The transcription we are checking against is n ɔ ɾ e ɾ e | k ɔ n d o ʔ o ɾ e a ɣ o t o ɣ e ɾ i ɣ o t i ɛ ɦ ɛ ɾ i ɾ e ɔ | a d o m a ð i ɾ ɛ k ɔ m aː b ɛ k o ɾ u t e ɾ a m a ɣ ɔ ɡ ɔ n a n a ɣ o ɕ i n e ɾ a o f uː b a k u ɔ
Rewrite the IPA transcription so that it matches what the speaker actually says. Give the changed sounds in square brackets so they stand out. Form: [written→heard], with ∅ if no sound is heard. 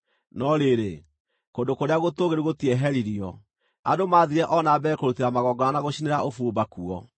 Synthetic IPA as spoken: n ɔ ɾ e ɾ e | k [ɔ→o] n d o [ʔ→k] o ɾ e a ɣ o t o ɣ e ɾ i ɣ o t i ɛ ɦ ɛ ɾ i ɾ [e→i] ɔ | a d o m a ð i ɾ ɛ [k→ʔ] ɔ [m→n] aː b ɛ k o ɾ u t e ɾ a m a ɣ ɔ ɡ ɔ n a n a ɣ o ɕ i n e ɾ a o f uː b a k u ɔ

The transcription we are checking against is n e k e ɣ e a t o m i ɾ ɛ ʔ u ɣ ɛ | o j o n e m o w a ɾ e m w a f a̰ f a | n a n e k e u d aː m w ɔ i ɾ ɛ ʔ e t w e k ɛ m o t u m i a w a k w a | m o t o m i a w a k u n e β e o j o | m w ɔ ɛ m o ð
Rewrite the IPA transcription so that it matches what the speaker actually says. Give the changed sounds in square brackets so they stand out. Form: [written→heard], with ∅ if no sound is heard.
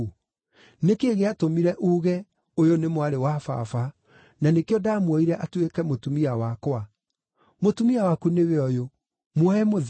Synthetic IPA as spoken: n e k e ɣ e a t o m i ɾ ɛ ʔ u ɣ ɛ | o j o n e m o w a ɾ e [m→∅] w a f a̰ f a | n a n e k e [u→ɔ] d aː m w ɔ i ɾ ɛ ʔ [e→a] t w e k ɛ m o t u m i a w a k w a | m o t [o→u] m i a w a k u n e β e [o→ɔ] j o | m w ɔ ɛ m o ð

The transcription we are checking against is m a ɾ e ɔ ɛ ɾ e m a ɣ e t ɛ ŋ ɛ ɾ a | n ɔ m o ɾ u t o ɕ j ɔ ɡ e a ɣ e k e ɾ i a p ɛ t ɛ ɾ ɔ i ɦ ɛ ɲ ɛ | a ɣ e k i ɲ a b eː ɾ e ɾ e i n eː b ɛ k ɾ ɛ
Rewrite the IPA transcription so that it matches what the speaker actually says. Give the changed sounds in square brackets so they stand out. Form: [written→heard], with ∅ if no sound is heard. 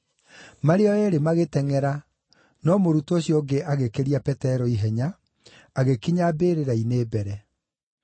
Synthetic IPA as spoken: m a ɾ e ɔ ɛ ɾ e m a ɣ e t ɛ ŋ ɛ ɾ a | n ɔ m o ɾ u t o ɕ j ɔ ɡ e a ɣ e k e ɾ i a p ɛ t ɛ ɾ ɔ i ɦ ɛ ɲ [ɛ→a] | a ɣ e k i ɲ a b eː ɾ e ɾ [e→a] i n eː b ɛ [k→∅] ɾ ɛ

